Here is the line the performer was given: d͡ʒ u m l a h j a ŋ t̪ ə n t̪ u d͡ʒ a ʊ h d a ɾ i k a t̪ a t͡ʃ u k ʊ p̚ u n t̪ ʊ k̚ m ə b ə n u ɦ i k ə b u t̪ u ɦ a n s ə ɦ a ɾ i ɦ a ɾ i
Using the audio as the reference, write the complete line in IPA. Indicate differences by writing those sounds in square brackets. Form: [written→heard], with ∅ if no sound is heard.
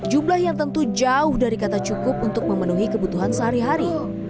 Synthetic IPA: d͡ʒ u m l a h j a ŋ t̪ ə n t̪ u d͡ʒ a ʊ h d a ɾ i k a t̪ a t͡ʃ u k ʊ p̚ u n t̪ ʊ k̚ m ə [b→m] ə n u ɦ i k ə b u t̪ u ɦ a n s ə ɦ a ɾ i ɦ a ɾ i